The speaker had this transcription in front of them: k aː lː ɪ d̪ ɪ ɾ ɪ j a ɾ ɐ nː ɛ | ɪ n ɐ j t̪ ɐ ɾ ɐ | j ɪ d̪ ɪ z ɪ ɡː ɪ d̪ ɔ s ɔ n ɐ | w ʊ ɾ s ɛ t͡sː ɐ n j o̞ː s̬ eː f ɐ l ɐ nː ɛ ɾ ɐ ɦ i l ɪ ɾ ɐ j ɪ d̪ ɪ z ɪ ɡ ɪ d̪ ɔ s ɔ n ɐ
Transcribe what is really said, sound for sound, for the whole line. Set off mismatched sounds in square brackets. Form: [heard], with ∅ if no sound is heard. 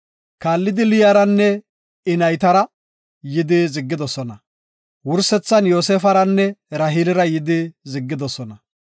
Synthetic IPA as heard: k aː lː ɪ d̪ ɪ [l] ɪ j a ɾ ɐ nː ɛ | ɪ n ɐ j t̪ ɐ ɾ ɐ | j ɪ d̪ ɪ z ɪ ɡː ɪ d̪ ɔ s ɔ n ɐ | w ʊ ɾ s ɛ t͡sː ɐ n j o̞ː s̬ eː f ɐ [ɾ] ɐ nː ɛ ɾ ɐ ɦ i l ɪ ɾ ɐ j ɪ d̪ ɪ z ɪ [ɡː] ɪ d̪ ɔ s ɔ n ɐ